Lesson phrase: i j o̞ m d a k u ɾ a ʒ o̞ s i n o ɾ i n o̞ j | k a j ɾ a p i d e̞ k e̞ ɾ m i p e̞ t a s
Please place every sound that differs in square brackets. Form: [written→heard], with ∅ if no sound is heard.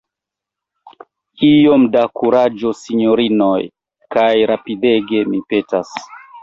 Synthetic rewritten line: i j o̞ m d a k u ɾ a [ʒ→d͡ʒ] o̞ s i [n→ɲ] o ɾ i n o̞ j | k a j ɾ a p i d e̞ [k→ɡ] e̞ [ɾ→∅] m i p e̞ t a s